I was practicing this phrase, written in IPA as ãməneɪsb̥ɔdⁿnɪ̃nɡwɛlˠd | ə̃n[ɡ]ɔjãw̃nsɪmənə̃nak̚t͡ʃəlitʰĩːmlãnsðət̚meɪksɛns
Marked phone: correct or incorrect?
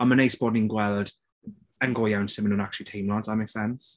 correct